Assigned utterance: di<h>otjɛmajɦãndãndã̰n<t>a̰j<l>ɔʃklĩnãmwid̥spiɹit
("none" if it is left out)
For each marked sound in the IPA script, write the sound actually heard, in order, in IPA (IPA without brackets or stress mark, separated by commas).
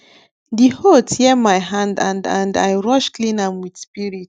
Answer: h, d, ɹ